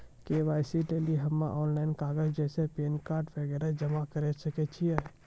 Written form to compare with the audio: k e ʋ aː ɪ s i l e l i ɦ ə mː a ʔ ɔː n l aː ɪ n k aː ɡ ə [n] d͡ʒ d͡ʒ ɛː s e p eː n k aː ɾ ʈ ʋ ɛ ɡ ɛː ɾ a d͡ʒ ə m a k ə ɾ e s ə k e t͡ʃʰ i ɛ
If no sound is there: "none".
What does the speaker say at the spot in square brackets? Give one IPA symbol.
none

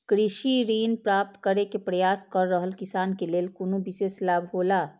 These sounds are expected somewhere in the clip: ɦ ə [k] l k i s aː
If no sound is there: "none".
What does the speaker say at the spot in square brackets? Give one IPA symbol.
none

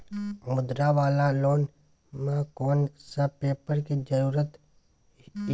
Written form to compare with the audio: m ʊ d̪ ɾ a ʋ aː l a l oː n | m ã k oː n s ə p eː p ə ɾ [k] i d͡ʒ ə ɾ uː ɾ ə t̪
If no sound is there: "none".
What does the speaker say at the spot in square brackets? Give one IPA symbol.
k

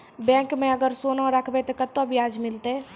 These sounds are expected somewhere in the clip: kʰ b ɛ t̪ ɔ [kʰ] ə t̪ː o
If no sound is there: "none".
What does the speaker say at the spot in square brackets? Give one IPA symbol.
k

